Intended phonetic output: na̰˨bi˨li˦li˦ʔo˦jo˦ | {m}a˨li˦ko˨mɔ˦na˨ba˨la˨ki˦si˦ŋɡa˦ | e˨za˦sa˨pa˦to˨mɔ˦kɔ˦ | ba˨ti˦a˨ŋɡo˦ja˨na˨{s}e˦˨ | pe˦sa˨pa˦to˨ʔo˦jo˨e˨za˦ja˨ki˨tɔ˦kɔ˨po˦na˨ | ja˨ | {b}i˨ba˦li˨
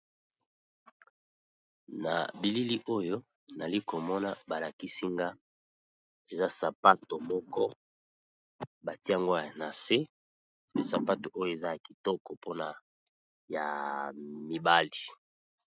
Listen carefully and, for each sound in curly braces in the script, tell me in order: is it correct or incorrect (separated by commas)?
incorrect, correct, incorrect